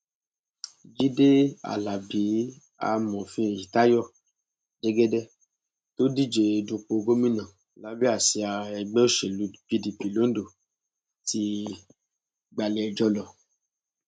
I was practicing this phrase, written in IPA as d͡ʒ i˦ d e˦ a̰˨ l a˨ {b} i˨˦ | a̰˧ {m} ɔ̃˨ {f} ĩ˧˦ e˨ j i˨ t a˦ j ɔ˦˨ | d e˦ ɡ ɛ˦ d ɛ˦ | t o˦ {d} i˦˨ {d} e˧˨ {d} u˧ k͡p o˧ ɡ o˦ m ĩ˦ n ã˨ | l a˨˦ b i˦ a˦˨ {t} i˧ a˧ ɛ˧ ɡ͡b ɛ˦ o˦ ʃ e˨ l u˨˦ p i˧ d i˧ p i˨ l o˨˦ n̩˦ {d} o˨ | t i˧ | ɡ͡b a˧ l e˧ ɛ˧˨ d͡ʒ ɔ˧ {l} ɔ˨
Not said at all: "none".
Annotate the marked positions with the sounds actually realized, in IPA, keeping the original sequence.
b, m, f, d, d͡ʒ, d, s, d, l

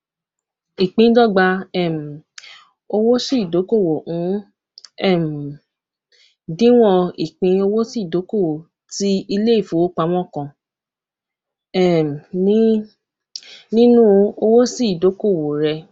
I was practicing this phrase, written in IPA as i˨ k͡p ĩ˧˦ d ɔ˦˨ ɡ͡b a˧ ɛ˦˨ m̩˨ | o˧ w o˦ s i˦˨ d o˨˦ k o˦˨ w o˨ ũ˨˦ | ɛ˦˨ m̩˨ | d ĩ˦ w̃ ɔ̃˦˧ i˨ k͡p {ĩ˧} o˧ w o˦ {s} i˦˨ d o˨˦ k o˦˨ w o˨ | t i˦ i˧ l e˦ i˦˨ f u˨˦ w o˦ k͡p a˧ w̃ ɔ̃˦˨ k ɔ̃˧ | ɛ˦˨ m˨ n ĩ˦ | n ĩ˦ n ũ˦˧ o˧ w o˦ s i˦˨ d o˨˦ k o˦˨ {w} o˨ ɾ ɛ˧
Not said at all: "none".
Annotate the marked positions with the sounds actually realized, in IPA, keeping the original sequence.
ĩ˧, s, w

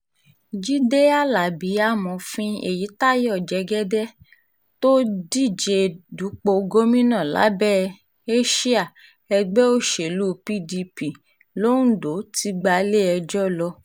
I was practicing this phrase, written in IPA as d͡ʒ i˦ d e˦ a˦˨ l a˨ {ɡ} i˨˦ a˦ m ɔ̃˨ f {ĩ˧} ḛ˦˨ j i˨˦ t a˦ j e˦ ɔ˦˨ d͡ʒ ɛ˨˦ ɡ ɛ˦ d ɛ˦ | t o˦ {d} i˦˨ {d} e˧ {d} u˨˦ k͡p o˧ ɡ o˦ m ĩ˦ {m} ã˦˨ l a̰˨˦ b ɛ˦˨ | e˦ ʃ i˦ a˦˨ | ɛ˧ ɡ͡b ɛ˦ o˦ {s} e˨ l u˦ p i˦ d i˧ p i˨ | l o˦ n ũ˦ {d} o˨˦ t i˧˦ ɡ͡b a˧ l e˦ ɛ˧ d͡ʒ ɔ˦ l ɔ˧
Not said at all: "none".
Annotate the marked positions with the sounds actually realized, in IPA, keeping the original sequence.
b, ĩ˧, d, d͡ʒ, d, n, ʃ, d

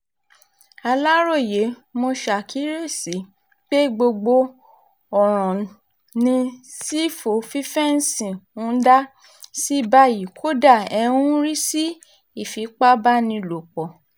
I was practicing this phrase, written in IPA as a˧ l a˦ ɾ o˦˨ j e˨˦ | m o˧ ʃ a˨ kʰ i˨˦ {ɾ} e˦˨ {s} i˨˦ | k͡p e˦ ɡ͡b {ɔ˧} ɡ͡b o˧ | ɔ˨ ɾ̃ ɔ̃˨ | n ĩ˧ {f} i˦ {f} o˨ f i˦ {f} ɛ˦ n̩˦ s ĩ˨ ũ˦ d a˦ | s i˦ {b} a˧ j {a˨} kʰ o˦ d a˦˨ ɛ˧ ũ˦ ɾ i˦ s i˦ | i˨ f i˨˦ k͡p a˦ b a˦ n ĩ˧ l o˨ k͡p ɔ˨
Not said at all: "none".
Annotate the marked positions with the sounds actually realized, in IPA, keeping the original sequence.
ɾ, s, o˧, s, f, f, b, i˨

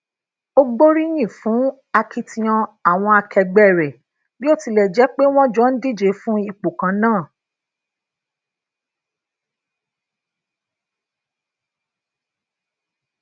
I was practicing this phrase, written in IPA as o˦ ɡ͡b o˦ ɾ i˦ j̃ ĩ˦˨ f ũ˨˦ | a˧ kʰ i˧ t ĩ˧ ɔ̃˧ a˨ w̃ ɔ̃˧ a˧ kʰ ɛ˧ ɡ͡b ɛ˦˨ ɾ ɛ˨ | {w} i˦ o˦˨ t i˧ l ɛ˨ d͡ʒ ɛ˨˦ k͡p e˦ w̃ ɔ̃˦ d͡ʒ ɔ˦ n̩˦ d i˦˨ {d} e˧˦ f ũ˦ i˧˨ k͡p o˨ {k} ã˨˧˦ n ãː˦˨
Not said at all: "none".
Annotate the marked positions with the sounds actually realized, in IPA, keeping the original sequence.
b, d͡ʒ, k

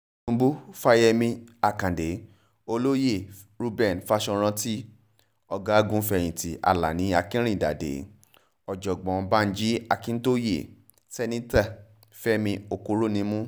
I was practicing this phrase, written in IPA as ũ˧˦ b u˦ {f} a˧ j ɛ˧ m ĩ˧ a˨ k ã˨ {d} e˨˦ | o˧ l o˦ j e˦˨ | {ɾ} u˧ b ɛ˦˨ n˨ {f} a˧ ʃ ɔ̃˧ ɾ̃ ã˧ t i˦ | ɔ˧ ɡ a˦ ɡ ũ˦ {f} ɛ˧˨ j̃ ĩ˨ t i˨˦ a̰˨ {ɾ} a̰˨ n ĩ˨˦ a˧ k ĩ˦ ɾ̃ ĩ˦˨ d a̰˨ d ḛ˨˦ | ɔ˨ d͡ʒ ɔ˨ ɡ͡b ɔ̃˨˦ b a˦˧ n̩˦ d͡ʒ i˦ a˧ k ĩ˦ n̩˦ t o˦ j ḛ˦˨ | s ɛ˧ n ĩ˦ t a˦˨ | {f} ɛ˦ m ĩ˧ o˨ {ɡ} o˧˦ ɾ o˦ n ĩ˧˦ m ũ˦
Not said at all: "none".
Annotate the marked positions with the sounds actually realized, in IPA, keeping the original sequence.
f, d, ɾ, f, f, l, f, k

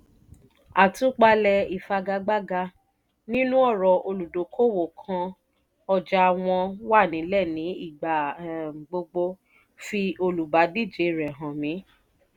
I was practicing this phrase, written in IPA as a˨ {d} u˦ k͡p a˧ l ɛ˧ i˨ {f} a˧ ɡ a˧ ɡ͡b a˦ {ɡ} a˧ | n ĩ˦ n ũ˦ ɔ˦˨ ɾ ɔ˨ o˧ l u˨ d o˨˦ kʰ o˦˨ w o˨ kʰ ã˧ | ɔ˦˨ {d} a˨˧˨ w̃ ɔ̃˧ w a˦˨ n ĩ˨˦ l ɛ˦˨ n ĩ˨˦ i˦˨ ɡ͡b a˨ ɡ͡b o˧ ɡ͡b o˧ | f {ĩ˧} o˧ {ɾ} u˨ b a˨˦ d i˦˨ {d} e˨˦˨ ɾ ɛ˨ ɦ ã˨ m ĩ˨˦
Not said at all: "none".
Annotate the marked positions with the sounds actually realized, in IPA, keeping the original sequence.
t, f, ɡ, d͡ʒ, i˧, l, d͡ʒ

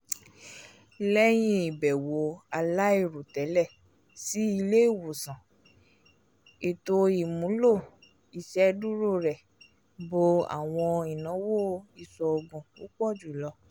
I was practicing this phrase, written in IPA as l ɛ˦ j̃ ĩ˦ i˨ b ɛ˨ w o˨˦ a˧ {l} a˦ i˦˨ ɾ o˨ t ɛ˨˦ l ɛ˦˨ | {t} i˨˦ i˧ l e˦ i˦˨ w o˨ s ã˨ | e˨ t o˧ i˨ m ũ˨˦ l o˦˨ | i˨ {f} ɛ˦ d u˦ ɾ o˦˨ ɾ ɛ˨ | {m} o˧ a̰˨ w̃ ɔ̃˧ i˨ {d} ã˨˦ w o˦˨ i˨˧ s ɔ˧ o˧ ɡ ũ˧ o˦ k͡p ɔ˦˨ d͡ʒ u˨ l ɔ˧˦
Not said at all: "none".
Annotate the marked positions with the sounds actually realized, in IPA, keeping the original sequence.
l, s, ʃ, b, n

